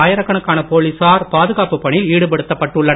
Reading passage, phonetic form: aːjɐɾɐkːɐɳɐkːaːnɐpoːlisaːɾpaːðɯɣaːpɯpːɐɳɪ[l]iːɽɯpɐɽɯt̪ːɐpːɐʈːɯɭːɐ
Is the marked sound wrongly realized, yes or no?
no